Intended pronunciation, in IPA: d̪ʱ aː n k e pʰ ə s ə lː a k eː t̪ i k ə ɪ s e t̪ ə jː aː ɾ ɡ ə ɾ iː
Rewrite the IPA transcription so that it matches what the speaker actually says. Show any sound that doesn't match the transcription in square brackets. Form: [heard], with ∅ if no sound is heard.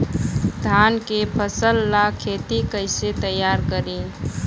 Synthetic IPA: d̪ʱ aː n k e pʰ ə s ə lː a [kʰ] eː t̪ i k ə ɪ s e t̪ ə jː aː ɾ [k] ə ɾ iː